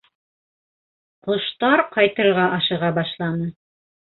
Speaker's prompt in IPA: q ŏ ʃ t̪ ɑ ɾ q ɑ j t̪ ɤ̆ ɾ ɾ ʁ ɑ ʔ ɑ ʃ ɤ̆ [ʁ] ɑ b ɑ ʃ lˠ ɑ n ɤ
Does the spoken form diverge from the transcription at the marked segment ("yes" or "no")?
no